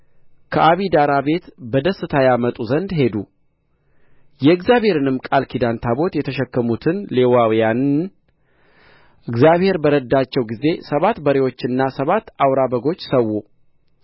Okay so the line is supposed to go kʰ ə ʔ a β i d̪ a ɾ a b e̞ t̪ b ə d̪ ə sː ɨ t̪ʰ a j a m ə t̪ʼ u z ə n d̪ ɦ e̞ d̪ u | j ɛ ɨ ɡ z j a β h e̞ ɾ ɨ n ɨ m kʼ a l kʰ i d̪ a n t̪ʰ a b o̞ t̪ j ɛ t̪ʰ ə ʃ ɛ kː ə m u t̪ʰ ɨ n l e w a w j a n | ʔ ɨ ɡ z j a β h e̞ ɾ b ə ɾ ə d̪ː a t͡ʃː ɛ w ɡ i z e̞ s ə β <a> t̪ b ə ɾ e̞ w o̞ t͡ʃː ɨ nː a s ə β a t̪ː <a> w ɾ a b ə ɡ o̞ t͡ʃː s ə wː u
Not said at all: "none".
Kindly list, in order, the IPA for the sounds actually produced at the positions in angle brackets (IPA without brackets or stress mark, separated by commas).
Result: a, a